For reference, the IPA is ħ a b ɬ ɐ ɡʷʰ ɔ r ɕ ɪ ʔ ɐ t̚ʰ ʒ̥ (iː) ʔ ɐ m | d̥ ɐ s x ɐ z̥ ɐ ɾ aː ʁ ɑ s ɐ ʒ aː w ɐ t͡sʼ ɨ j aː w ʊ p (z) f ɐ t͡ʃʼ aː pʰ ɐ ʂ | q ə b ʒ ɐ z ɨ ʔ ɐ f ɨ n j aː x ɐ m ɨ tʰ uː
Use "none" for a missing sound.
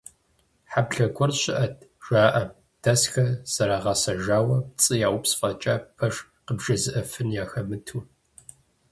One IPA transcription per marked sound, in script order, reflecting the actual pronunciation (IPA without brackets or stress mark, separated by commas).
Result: aː, s